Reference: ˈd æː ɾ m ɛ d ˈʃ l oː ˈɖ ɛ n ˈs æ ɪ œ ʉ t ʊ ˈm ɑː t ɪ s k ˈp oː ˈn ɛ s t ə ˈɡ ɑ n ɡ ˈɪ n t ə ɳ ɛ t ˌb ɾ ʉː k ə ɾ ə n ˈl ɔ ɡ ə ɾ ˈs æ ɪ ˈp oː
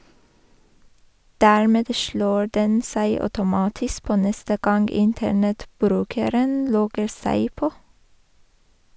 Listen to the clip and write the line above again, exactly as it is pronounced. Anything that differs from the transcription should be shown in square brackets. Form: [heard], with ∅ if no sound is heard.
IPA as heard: ˈd æː [ɹ] m ɛ d ˈʃ l oː ˈɖ ɛ n ˈs æ ɪ œ ʉ t ʊ ˈm ɑː t ɪ s k ˈp oː ˈn ɛ s t ə ˈɡ ɑ n ɡ ˈɪ n t ə ɳ ɛ t ˌb ɾ ʉː k ə ɾ ə n ˈl ɔ ɡ ə ɾ ˈs æ ɪ ˈp oː